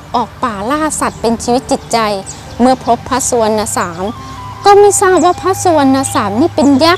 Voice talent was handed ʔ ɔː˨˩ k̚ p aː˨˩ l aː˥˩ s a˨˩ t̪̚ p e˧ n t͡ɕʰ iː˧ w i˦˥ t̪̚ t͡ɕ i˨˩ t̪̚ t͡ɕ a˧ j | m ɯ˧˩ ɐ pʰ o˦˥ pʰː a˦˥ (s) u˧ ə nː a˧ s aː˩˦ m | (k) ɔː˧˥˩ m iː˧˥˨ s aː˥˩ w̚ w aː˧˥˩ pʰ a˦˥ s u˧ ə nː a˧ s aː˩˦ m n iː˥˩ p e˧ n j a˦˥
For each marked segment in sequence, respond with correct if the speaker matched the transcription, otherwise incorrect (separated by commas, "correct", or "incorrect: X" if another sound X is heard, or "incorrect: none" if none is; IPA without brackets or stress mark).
correct, correct